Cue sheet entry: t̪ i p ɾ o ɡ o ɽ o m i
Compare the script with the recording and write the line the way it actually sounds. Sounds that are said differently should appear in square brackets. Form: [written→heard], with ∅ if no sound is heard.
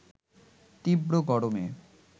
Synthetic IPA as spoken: t̪ i [p→b] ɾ o ɡ [o→ɔ] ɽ o m [i→e]